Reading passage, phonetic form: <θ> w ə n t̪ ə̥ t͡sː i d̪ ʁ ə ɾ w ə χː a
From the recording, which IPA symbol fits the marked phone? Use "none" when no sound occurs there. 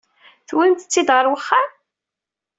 θ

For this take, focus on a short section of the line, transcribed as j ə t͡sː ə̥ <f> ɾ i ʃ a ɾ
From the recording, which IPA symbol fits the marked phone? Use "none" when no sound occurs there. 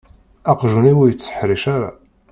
ħ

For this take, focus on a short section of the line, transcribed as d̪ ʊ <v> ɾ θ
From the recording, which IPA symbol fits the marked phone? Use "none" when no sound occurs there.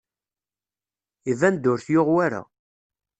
none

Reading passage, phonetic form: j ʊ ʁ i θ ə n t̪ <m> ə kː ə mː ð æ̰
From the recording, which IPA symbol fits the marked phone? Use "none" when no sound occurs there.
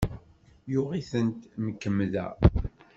m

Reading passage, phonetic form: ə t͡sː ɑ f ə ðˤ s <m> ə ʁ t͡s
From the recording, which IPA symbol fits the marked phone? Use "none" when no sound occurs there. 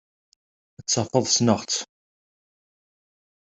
n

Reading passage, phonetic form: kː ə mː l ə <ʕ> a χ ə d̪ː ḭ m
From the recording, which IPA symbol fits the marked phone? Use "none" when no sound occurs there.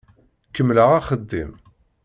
ʁ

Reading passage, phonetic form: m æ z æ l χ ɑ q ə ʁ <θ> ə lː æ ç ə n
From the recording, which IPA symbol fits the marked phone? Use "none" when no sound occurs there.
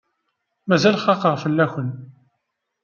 f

